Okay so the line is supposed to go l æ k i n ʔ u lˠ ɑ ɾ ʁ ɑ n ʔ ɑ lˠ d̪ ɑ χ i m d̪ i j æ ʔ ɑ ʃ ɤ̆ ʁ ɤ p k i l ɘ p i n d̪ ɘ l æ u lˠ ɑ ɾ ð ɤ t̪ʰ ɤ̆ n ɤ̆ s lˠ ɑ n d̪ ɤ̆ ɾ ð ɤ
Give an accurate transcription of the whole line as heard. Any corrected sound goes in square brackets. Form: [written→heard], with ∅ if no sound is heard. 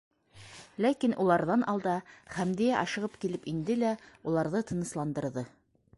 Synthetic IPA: l æ k i n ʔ u lˠ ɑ ɾ [ʁ→ð] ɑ n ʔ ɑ lˠ d̪ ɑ χ [i→æ] m d̪ i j æ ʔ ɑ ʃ ɤ̆ ʁ ɤ p k i l ɘ p i n d̪ ɘ l æ u lˠ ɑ ɾ ð ɤ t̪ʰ ɤ̆ n ɤ̆ s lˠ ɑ n d̪ ɤ̆ ɾ ð ɤ

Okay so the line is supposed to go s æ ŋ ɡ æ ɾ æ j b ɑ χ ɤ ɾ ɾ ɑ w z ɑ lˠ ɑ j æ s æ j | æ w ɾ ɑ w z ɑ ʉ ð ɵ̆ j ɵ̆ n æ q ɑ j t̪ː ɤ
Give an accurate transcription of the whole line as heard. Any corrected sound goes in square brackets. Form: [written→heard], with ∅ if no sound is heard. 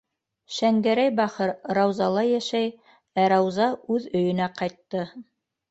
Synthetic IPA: [s→ʃ] æ ŋ ɡ æ ɾ æ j b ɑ χ ɤ ɾ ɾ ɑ w z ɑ lˠ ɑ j æ [s→ʃ] æ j | æ [w→∅] ɾ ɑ w z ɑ ʉ ð ɵ̆ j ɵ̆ n æ q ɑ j t̪ː ɤ

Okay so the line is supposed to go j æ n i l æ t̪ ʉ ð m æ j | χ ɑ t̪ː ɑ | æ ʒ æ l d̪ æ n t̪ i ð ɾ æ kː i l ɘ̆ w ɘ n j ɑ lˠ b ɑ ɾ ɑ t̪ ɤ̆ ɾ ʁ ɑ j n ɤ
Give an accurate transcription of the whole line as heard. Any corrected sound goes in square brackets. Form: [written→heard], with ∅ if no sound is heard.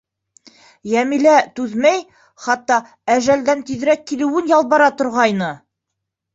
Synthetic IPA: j æ [n→m] i l æ t̪ ʉ ð m æ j | χ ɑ t̪ː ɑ | æ ʒ æ l d̪ æ n t̪ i ð ɾ æ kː i l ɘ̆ w ɘ n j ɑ lˠ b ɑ ɾ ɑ t̪ [ɤ̆→ŏ] ɾ ʁ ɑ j n ɤ

